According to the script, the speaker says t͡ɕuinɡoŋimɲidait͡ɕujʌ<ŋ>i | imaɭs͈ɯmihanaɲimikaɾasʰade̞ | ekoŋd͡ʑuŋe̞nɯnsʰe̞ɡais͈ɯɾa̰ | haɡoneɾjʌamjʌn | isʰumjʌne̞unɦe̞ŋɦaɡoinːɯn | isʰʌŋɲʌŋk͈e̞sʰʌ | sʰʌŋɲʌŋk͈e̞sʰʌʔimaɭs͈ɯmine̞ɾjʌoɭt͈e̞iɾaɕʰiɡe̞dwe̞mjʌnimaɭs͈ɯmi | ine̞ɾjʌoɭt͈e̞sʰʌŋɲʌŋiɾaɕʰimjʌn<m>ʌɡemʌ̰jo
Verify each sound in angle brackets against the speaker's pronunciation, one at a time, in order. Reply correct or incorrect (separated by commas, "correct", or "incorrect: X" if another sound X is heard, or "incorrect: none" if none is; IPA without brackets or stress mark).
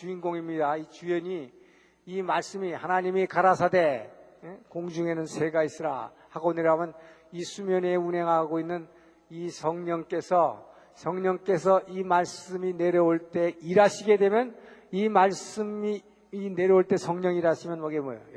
incorrect: ɲ, correct